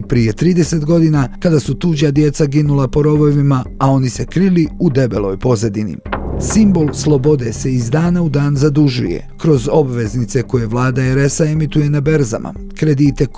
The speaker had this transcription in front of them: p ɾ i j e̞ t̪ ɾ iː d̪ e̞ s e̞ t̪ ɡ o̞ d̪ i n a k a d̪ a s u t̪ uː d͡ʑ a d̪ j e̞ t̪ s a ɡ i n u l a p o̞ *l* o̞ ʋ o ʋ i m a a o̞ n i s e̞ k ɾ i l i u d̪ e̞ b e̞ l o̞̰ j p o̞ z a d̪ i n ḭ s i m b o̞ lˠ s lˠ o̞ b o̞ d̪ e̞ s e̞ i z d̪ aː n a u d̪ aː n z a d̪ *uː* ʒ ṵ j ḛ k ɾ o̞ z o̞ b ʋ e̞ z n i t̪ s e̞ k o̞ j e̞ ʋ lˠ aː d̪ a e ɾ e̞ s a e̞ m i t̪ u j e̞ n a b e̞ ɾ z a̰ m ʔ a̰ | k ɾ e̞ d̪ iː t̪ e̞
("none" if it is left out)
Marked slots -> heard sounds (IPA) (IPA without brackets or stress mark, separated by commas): ɾ, u